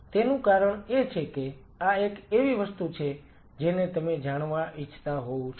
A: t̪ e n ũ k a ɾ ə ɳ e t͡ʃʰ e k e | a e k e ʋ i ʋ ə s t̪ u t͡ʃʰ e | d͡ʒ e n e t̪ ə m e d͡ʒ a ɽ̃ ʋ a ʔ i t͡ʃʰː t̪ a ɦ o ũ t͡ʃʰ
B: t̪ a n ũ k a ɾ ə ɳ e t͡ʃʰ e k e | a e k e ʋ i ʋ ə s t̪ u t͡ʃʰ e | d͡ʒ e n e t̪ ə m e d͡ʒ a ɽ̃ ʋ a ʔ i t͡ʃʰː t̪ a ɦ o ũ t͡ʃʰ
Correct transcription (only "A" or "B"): A